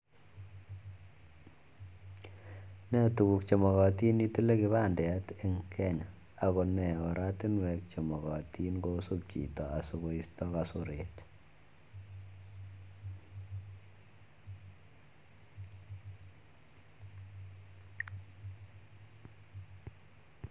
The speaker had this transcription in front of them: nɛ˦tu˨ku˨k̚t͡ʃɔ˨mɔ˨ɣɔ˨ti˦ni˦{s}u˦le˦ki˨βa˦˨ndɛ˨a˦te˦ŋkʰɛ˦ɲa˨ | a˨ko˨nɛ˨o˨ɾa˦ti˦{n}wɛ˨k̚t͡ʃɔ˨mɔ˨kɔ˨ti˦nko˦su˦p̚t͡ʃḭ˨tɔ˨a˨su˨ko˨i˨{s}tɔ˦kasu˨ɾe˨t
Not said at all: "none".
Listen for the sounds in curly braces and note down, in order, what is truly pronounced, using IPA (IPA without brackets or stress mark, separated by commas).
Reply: t, n, s